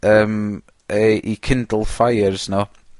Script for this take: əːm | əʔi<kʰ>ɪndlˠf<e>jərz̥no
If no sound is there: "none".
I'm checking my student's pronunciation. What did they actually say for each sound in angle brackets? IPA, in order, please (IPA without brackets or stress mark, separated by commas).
kʰ, a